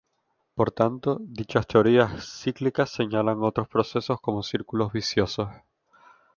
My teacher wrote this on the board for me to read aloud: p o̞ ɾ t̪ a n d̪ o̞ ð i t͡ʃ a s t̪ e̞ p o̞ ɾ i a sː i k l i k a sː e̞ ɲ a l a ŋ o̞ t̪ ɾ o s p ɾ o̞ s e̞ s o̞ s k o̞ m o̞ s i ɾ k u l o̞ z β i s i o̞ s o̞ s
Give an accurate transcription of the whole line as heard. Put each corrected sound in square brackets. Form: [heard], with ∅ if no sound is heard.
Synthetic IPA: p o̞ ɾ t̪ a n [t̪] o̞ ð i t͡ʃ a s t̪ e̞ [∅] o̞ ɾ i a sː i k l i k a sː e̞ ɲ a l a ŋ o̞ t̪ ɾ o s p ɾ o̞ s e̞ s o̞ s k o̞ m o̞ s i ɾ k u l o̞ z β i s [j] o̞ s o̞ s